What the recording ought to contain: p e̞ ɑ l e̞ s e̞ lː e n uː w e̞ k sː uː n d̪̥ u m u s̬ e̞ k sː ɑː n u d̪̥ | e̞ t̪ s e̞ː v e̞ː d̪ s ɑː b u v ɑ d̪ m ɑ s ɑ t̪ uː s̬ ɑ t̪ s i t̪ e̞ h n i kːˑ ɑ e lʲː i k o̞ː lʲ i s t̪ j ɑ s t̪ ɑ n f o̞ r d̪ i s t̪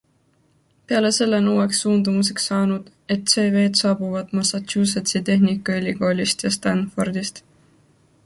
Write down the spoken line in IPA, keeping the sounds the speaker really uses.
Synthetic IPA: p e̞ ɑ l e̞ s e̞ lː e n uː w e̞ k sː uː n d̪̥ u m u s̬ e̞ k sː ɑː n u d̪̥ | e̞ t̪ s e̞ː v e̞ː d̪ s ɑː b u v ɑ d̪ m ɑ s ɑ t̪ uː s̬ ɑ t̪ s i t̪ e̞ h n i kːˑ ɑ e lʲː i k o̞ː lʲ i s t̪ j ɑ s t̪ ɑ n f o̞ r d̪ i s t̪